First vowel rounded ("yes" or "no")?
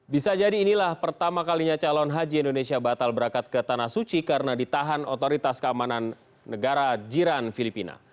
no